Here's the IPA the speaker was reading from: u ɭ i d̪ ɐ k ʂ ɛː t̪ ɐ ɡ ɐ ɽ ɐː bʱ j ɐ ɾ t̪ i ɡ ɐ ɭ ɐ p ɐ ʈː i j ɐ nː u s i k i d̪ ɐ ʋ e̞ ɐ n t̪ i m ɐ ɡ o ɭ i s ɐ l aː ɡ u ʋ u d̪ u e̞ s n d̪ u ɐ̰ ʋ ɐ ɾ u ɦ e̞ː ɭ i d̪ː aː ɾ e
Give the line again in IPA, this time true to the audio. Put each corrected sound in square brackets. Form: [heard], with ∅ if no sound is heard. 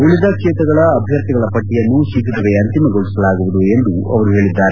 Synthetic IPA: u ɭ i d̪ ɐ k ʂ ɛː t̪ ɐ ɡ ɐ [ɭ] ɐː bʱ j ɐ ɾ t̪ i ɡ ɐ ɭ ɐ p ɐ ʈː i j ɐ nː u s i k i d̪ ɐ ʋ e̞ ɐ n t̪ i m ɐ ɡ o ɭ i s ɐ l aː ɡ u ʋ u d̪ u e̞ [∅] n d̪ u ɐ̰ ʋ ɐ ɾ u ɦ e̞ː ɭ i d̪ː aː ɾ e